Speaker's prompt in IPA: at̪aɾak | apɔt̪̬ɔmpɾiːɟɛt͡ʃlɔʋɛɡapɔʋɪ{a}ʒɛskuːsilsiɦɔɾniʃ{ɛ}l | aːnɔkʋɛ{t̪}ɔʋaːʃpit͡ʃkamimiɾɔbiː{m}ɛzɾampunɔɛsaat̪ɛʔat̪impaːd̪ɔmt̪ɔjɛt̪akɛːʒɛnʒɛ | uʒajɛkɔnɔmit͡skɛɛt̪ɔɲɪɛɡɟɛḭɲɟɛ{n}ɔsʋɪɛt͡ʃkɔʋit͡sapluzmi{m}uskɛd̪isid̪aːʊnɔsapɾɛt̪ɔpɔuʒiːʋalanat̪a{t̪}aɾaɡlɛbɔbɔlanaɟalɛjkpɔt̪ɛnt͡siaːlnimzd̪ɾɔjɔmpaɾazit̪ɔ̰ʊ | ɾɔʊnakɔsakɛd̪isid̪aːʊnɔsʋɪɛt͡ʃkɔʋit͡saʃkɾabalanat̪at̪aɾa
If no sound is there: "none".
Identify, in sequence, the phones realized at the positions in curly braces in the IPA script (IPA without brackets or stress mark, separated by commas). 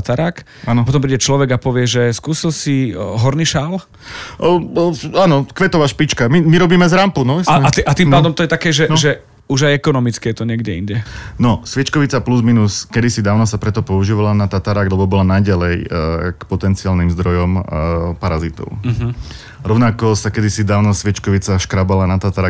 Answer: ɛ, a, t̪, m, n, n, t̪